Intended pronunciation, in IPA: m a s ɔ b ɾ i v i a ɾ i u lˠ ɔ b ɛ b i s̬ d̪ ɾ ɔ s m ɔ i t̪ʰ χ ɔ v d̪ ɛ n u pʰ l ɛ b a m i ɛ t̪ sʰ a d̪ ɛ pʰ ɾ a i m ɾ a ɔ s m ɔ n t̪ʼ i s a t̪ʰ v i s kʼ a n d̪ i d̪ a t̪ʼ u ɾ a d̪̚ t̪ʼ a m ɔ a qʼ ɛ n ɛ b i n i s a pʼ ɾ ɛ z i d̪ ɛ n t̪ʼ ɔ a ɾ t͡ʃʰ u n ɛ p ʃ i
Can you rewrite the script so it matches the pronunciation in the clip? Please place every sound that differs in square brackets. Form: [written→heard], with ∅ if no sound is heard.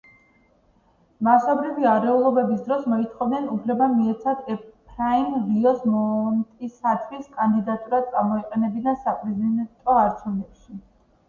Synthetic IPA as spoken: m a s ɔ b ɾ i v i a ɾ [i→ɛ] u lˠ ɔ b ɛ b i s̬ d̪ ɾ ɔ s m ɔ i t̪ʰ χ ɔ v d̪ ɛ n u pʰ l ɛ b a m i ɛ t̪ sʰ a d̪ ɛ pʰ ɾ a i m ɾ [a→i] ɔ s m ɔ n t̪ʼ i s a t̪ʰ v i s kʼ a n d̪ i d̪ a t̪ʼ u ɾ a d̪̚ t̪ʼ a m ɔ [a→i] qʼ ɛ n ɛ b i n [i→a] s a pʼ ɾ ɛ z i d̪ ɛ n t̪ʼ ɔ a ɾ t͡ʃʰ u n ɛ p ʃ i

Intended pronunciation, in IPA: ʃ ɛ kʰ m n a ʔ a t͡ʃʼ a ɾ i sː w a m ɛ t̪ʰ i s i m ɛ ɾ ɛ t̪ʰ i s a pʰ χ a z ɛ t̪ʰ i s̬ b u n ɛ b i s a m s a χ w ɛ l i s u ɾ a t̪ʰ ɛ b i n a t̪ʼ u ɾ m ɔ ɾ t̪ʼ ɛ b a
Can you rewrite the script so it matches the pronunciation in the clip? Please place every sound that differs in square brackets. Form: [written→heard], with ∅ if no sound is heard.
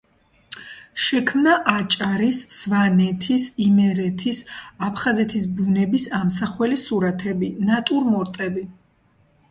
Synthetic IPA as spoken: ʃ ɛ kʰ m n a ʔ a t͡ʃʼ a ɾ i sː [w→v] a [m→n] ɛ t̪ʰ i s i m ɛ ɾ ɛ t̪ʰ i s a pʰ χ a z ɛ t̪ʰ i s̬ b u n ɛ b i s a m s a χ w ɛ l i s u ɾ a t̪ʰ ɛ b i n a t̪ʼ u ɾ m ɔ ɾ t̪ʼ ɛ b [a→i]

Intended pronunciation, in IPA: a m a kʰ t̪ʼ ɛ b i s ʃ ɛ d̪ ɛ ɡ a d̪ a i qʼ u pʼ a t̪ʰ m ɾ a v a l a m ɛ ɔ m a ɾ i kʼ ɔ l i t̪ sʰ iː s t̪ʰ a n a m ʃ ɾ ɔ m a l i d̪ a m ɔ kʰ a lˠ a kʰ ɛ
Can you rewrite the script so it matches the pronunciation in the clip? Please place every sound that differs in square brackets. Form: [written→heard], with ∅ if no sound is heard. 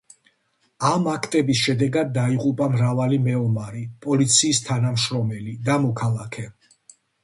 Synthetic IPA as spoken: a m a kʰ t̪ʼ ɛ b i s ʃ ɛ d̪ ɛ ɡ a [d̪→d̪ː] a i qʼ u pʼ a [t̪ʰ→∅] m ɾ a v a l [a→i] m ɛ ɔ m a ɾ i [kʼ→pʼ] ɔ l i t̪ sʰ iː s t̪ʰ a n a m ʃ ɾ ɔ m [a→ɛ] l i d̪ a m ɔ kʰ a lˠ a kʰ ɛ

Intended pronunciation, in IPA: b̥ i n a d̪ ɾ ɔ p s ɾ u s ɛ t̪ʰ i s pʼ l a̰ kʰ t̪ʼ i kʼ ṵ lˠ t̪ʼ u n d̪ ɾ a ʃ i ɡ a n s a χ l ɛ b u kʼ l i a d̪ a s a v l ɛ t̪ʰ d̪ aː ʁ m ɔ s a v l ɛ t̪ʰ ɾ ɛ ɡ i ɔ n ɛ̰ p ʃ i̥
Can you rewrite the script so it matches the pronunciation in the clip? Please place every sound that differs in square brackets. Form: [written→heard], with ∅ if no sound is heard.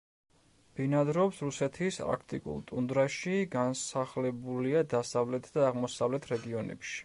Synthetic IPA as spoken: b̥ i n a d̪ ɾ ɔ p s ɾ u s ɛ t̪ʰ i s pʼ [l→ɾ] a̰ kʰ t̪ʼ i kʼ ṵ lˠ t̪ʼ u n d̪ ɾ a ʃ i ɡ a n s a χ l ɛ b u [kʼ→∅] l i a d̪ a s a v l ɛ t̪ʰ d̪ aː ʁ m ɔ s a v l ɛ t̪ʰ ɾ ɛ ɡ i ɔ n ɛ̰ p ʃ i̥

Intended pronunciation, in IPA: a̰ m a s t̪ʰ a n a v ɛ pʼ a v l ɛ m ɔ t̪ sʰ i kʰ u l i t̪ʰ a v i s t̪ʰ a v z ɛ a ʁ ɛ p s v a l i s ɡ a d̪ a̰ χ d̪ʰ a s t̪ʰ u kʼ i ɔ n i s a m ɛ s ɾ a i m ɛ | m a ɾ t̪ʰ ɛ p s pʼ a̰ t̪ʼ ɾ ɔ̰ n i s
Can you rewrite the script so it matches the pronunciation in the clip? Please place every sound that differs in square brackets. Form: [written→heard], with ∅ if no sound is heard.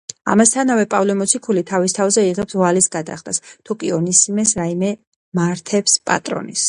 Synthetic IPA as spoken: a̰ m a s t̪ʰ a n a v ɛ pʼ a v l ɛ m ɔ t̪ sʰ i kʰ u l i t̪ʰ a v i s t̪ʰ a v z ɛ [a→i] ʁ ɛ p s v a l i s ɡ a d̪ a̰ χ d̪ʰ a s t̪ʰ u kʼ i ɔ n i s [a→i] m ɛ s ɾ a i m ɛ | m a ɾ t̪ʰ ɛ p s pʼ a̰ t̪ʼ ɾ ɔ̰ n i s

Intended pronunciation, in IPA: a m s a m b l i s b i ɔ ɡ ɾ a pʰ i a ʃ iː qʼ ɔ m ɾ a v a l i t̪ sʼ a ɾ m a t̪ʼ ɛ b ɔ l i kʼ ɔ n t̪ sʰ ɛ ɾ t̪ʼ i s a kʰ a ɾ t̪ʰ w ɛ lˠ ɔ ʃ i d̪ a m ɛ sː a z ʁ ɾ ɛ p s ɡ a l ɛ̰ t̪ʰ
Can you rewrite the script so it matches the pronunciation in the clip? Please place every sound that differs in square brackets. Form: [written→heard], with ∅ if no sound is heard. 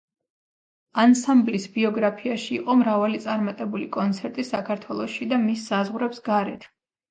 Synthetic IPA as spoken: a [m→n] s a m b l i s b i ɔ ɡ ɾ a pʰ i a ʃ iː qʼ ɔ m ɾ a v a l i t̪ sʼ a ɾ m a t̪ʼ ɛ b [ɔ→u] l i kʼ ɔ n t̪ sʰ ɛ ɾ t̪ʼ i s a kʰ a ɾ t̪ʰ w ɛ lˠ ɔ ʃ i d̪ a m [ɛ→i] sː a z ʁ ɾ ɛ p s ɡ a [l→ɾ] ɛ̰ t̪ʰ

